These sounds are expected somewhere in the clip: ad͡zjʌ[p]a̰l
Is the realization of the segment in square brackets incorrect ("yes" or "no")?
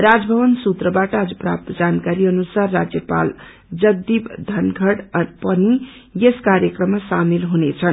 no